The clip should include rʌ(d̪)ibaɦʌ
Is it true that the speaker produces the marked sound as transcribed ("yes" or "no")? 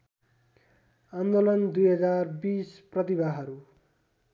no